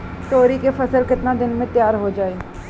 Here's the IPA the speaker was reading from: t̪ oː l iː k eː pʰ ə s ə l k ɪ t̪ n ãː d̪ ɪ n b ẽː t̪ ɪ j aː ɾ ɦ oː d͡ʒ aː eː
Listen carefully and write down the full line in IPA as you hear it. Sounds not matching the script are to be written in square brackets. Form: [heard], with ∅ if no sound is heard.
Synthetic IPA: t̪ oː [ɾ] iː k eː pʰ ə s ə l k ɪ t̪ n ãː d̪ ɪ n [m] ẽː t̪ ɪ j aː ɾ ɦ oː d͡ʒ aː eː